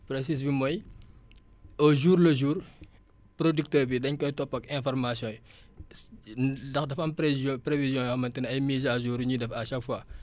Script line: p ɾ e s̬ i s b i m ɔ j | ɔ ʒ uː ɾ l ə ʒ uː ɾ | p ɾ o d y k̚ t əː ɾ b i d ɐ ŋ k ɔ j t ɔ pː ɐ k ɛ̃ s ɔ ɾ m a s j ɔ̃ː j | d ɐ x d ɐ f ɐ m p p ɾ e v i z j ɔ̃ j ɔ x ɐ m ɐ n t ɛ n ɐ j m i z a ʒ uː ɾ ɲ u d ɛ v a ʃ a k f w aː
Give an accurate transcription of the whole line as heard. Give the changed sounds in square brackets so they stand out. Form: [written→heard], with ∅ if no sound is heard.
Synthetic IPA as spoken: p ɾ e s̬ i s b i m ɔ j | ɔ ʒ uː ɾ l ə ʒ uː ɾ | p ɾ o d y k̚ t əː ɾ b i d ɐ [ŋ→ɲ] k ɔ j t ɔ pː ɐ k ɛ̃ [s→f] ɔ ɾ m a s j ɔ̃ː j | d ɐ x d ɐ f ɐ m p p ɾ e v i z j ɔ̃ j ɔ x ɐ m ɐ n t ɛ n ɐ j m i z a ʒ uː ɾ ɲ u d ɛ [v→f] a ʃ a k f w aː